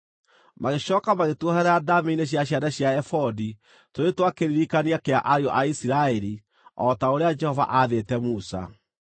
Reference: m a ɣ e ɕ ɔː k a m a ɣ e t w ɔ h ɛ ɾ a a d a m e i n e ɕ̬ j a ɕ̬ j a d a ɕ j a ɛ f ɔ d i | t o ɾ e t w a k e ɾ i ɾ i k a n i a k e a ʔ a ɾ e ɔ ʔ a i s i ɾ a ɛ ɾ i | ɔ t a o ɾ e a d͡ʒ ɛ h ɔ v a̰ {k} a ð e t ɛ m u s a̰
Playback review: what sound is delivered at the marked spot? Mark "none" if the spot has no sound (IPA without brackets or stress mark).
ʔ